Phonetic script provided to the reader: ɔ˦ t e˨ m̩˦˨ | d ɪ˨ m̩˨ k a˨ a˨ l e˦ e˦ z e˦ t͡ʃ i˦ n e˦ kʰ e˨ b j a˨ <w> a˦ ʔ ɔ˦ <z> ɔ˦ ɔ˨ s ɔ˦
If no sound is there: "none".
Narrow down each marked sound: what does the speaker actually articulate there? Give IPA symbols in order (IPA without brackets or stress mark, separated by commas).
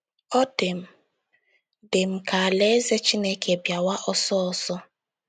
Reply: w, s